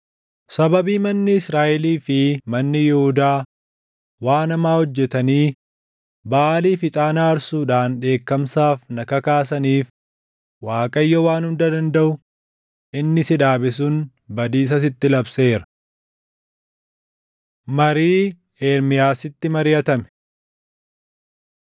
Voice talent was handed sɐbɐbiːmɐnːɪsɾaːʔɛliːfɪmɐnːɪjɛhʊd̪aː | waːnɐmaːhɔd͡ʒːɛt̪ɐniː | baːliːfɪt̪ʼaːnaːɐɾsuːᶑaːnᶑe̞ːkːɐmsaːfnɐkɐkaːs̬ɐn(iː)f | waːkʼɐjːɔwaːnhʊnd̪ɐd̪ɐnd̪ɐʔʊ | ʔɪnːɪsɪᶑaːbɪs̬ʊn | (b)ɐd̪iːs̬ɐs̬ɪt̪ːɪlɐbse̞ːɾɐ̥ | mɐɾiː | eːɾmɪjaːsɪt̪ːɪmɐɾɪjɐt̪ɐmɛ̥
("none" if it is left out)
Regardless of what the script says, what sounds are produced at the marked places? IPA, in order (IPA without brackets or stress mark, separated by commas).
iː, b